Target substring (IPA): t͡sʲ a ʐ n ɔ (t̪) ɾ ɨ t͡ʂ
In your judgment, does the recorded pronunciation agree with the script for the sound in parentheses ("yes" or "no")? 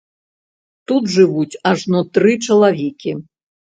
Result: yes